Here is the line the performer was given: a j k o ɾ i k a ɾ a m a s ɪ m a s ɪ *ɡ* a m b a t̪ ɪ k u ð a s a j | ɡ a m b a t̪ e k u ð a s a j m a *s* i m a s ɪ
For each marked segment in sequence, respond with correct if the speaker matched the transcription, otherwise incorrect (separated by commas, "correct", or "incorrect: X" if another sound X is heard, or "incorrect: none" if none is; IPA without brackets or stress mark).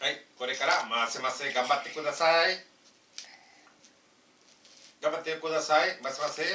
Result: correct, correct